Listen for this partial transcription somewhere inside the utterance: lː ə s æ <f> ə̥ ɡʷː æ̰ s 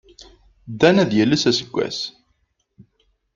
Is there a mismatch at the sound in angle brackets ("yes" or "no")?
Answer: yes